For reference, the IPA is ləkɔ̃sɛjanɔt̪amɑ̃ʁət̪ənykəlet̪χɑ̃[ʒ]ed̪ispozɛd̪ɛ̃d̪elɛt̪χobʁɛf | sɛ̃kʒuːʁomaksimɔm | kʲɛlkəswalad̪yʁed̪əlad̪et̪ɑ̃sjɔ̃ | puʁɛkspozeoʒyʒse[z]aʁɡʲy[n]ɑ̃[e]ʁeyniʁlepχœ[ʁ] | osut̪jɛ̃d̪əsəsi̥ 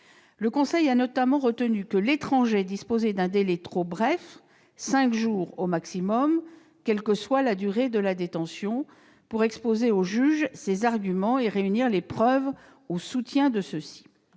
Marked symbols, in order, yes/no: yes, yes, no, yes, no

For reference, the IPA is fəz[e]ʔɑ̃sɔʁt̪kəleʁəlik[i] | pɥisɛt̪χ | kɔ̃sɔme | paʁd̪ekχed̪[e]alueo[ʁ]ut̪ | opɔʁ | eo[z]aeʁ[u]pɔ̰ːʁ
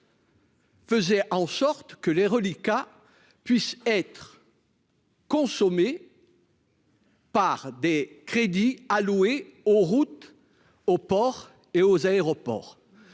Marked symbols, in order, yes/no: no, no, no, yes, yes, no

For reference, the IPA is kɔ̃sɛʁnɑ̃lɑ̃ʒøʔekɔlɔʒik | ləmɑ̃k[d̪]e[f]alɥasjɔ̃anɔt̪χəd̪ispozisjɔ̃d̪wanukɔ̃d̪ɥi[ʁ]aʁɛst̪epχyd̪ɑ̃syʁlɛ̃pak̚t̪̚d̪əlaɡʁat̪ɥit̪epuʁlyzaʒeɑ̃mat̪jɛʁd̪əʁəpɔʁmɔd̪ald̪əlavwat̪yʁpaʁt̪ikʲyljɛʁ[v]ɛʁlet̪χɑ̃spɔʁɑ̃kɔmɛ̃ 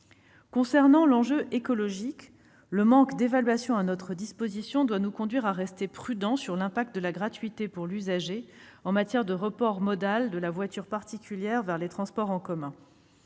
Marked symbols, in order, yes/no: yes, no, yes, yes

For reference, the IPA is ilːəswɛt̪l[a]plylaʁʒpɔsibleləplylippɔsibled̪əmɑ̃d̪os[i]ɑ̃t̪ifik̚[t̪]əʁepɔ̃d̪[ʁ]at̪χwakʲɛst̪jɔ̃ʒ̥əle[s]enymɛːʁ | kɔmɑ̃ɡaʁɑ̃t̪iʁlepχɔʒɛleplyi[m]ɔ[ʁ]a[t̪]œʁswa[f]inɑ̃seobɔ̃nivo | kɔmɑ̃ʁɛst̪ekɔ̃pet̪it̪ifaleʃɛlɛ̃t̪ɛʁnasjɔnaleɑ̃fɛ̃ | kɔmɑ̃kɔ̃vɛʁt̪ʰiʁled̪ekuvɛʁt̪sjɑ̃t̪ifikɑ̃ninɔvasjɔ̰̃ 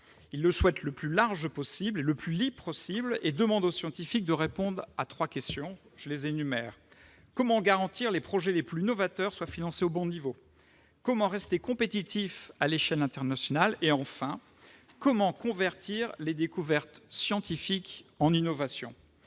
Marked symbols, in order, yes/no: no, no, no, yes, no, no, no, yes, yes

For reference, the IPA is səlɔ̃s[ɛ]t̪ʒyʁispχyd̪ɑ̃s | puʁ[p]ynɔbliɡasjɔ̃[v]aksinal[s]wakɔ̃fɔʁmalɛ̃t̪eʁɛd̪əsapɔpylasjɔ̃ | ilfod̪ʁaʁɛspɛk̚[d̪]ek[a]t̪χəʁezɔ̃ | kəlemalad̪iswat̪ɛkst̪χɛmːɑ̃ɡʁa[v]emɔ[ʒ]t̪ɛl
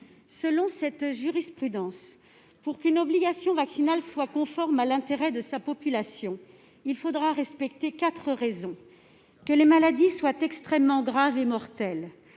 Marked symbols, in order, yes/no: yes, no, yes, yes, no, yes, yes, no

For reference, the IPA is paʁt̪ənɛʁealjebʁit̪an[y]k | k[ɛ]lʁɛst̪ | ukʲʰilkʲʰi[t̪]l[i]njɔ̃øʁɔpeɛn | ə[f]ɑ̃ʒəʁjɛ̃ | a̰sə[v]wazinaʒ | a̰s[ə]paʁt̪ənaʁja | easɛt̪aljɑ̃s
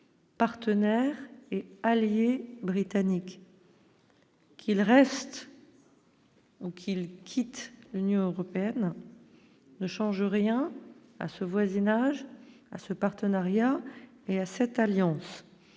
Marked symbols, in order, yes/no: no, no, yes, no, no, yes, yes

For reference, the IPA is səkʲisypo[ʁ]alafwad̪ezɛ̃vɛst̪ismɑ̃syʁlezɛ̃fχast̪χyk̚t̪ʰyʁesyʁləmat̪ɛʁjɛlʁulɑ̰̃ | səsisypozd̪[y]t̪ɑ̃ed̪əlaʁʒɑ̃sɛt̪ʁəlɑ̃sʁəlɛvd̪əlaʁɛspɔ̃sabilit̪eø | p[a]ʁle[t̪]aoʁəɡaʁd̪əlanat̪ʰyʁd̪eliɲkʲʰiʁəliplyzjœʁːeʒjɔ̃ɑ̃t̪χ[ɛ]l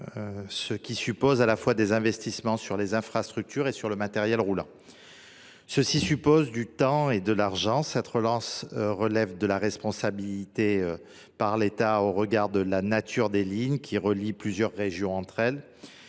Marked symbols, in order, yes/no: no, yes, yes, yes, yes

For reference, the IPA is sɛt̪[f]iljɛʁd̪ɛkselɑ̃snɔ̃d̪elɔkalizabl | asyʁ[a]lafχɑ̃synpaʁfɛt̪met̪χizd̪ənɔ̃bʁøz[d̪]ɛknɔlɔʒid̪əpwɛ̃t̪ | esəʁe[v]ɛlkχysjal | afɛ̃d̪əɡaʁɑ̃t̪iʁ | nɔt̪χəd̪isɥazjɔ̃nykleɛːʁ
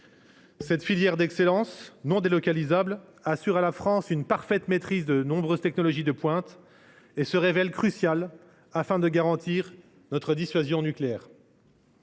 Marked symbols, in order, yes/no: yes, yes, no, yes

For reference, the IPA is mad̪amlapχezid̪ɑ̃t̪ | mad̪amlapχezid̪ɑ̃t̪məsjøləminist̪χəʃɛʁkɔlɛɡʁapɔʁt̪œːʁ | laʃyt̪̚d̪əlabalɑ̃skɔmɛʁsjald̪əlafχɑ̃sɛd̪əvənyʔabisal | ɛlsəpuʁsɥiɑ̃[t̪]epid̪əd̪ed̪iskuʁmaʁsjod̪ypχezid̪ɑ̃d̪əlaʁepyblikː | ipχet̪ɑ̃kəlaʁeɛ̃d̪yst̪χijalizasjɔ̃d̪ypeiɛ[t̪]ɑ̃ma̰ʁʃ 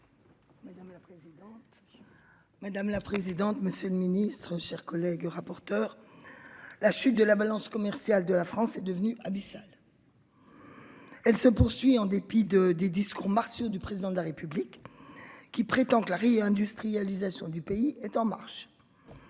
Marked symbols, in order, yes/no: no, yes

